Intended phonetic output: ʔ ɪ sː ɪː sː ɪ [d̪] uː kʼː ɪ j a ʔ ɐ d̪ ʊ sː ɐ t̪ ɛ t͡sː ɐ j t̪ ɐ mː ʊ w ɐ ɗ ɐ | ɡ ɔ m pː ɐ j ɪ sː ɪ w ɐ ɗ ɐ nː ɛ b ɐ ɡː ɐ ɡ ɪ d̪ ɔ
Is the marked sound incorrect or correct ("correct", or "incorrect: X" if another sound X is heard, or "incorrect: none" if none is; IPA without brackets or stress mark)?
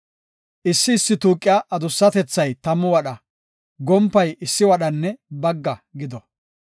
incorrect: t̪